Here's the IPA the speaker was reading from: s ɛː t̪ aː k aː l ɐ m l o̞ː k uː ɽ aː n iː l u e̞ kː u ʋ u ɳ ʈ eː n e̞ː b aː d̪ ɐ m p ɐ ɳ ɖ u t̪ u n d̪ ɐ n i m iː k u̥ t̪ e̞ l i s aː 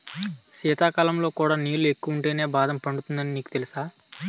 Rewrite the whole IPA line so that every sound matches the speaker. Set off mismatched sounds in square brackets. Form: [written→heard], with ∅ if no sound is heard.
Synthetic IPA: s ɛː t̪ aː k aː l ɐ m l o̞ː k uː ɽ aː n iː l u e̞ kː u ʋ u ɳ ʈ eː n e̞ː b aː d̪ ɐ m p ɐ ɳ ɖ u t̪ u n d̪ ɐ n i [m→n] iː k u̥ t̪ e̞ l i s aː